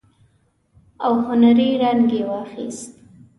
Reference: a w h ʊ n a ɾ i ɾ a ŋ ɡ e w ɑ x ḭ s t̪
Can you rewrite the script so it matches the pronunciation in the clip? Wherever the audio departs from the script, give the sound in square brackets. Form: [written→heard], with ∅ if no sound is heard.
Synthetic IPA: a w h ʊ n a ɾ i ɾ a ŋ ɡ e w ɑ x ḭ s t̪